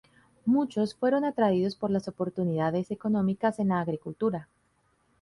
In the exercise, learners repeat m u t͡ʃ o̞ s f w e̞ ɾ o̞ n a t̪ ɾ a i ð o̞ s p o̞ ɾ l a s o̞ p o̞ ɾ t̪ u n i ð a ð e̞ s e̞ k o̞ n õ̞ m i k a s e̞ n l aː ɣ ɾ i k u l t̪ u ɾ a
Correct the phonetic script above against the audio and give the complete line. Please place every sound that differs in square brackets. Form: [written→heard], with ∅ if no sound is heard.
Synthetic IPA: m u t͡ʃ o̞ s f w e̞ ɾ o̞ n a t̪ ɾ a i ð o̞ s p o̞ ɾ l a s o̞ p o̞ ɾ t̪ u n i ð a ð e̞ s e̞ k o̞ n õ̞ m i k a s e̞ n l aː ɣ ɾ i k u l t̪ u ɾ a